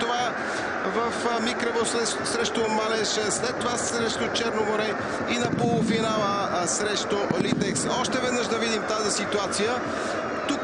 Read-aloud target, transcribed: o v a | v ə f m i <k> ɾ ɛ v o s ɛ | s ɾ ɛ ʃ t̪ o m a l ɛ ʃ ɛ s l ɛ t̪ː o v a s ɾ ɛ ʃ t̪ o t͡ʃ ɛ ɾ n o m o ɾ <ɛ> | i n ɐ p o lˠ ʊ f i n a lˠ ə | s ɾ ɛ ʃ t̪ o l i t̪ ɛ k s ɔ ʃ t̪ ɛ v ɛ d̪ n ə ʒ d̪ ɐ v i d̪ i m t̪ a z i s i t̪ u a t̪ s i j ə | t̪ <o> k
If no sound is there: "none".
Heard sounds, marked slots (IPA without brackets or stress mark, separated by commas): k, ɛ, u